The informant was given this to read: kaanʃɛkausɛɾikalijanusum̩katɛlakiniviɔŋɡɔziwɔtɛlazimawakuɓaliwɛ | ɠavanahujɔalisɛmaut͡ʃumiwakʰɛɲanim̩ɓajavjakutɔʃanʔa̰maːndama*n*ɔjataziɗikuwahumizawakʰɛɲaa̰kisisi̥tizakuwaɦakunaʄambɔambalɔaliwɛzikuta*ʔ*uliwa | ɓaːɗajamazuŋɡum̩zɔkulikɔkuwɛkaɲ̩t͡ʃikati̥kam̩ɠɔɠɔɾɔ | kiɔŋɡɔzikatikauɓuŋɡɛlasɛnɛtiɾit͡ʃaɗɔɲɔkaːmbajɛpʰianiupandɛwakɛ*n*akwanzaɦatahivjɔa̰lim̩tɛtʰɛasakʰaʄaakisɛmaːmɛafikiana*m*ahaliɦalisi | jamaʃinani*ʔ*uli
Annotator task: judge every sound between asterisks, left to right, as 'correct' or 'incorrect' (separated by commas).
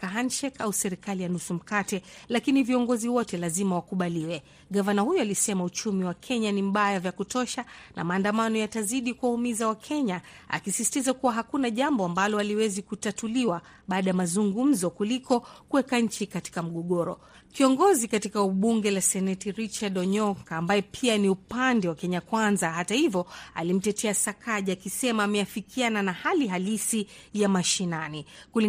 correct, incorrect, incorrect, incorrect, incorrect